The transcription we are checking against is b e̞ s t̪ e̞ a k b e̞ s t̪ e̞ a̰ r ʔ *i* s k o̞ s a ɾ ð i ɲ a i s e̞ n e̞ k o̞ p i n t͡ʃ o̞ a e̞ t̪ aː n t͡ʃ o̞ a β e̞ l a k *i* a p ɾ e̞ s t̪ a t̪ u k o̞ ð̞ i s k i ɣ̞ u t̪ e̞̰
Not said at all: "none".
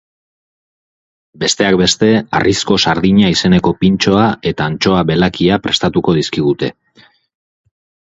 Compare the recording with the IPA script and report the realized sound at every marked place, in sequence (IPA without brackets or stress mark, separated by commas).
i, i